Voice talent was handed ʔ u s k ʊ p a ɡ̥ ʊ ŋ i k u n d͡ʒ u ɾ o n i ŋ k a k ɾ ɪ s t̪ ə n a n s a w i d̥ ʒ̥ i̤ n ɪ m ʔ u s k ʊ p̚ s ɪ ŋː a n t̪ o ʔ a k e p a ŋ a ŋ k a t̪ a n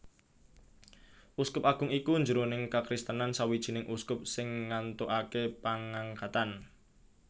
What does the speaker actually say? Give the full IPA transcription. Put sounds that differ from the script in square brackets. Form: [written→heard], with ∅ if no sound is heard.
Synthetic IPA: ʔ u s k ʊ p a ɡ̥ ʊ ŋ i k u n d͡ʒ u ɾ o n [i→ɪ] ŋ k a k ɾ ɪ s t̪ ə n a n s a w i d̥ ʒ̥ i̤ n ɪ [m→ŋ] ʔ u s k ʊ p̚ s ɪ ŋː a n t̪ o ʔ a k e p a ŋ a ŋ k a t̪ a n